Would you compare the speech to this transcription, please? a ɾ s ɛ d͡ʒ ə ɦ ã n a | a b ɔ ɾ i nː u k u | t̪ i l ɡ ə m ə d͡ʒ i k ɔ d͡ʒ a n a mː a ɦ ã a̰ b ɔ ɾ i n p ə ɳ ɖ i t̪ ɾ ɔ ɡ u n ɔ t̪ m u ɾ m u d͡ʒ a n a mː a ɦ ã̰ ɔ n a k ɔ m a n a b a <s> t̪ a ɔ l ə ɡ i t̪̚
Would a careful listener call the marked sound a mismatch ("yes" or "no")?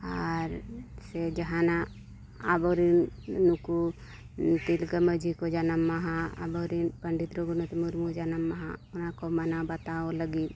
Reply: yes